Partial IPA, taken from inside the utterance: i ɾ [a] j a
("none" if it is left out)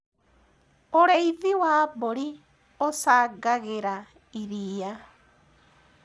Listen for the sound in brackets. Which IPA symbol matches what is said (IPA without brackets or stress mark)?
i